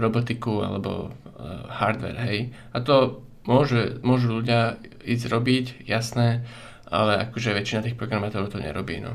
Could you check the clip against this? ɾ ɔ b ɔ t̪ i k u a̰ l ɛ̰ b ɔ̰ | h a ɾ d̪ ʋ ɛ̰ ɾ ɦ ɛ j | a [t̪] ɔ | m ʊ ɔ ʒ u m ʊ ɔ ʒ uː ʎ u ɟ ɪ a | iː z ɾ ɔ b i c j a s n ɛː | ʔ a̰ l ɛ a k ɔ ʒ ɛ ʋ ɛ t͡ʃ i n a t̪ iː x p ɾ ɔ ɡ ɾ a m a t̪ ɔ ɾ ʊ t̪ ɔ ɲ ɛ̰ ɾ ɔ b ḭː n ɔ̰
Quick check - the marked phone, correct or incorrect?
correct